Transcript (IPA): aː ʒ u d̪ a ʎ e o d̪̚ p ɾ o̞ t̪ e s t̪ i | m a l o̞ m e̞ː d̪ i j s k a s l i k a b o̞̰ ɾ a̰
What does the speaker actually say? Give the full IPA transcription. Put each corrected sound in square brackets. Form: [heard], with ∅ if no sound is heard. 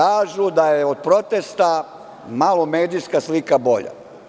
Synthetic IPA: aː ʒ u d̪ a [j] e o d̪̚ p ɾ o̞ t̪ e s t̪ [a] | m a l o̞ m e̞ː d̪ i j s k a s l i k a b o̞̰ [ʎ] a̰